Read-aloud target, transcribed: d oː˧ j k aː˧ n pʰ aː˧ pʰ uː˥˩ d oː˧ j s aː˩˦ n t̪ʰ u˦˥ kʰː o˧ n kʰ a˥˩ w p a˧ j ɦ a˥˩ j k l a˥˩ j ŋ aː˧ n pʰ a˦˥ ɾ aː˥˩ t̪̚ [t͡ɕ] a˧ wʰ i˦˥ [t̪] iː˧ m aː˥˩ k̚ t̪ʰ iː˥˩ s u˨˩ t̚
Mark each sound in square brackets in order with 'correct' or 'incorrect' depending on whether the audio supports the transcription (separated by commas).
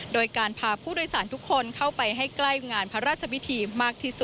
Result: incorrect, incorrect